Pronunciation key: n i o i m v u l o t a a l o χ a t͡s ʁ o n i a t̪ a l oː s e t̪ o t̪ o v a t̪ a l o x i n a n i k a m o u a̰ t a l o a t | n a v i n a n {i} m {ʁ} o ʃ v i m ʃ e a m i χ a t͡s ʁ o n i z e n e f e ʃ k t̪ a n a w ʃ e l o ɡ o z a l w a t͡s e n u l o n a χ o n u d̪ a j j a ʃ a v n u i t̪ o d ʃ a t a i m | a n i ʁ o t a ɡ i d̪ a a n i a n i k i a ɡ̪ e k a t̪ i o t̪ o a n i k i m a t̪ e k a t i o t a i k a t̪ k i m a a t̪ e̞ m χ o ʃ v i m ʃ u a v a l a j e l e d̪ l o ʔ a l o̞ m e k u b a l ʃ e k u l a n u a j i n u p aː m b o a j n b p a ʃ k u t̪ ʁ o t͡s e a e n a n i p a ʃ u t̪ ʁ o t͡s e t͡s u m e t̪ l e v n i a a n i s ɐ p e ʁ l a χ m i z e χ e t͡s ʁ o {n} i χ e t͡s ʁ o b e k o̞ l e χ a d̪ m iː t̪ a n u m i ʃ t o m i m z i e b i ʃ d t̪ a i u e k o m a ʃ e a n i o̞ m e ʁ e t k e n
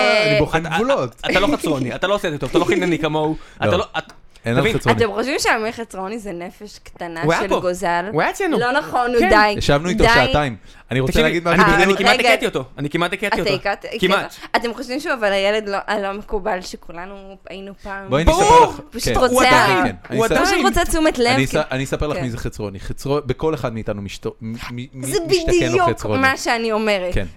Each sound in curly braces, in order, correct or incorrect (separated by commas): incorrect, incorrect, correct